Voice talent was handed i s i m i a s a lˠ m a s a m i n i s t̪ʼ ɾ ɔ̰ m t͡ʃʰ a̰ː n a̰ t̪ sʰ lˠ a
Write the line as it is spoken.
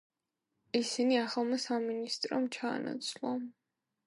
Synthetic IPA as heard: i s i n i a χ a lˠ m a s a m i n i s t̪ʼ ɾ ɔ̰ m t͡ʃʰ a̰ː n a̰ t̪ sʰ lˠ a